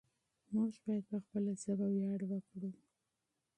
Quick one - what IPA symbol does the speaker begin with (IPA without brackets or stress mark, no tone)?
m